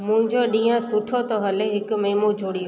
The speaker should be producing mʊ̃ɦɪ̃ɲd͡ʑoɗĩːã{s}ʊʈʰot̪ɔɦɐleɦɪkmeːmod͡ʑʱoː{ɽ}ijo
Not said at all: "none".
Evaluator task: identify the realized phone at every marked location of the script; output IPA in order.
s, ɽ

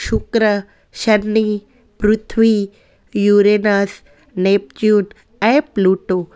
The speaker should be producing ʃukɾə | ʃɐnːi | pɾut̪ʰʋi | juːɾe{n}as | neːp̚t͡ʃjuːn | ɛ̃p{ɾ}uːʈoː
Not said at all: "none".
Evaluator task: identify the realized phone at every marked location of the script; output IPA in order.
n, l

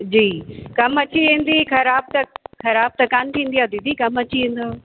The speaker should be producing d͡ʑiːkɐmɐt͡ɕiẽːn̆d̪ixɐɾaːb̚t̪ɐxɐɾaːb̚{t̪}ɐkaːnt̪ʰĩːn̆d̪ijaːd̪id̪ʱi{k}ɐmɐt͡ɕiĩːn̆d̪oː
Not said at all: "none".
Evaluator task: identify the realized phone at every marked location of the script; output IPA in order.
t̪, k

